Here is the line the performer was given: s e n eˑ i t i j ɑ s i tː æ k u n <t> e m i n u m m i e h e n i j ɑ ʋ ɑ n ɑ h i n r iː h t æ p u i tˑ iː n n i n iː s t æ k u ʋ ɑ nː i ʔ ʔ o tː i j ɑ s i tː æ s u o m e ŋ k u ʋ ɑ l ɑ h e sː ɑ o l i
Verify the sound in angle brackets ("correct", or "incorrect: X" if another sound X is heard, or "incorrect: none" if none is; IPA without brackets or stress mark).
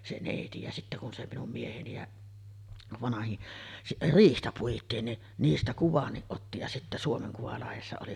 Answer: incorrect: s